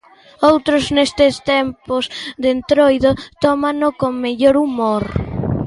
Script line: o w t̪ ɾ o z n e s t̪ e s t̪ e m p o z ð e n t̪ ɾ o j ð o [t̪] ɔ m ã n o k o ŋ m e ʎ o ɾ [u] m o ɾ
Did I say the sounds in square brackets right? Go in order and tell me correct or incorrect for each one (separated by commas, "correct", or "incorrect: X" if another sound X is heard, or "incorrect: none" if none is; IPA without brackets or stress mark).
correct, correct